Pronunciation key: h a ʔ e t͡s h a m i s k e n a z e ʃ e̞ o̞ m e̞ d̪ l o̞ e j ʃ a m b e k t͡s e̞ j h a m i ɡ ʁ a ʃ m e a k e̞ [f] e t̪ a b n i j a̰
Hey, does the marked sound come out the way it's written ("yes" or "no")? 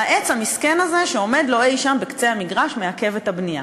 no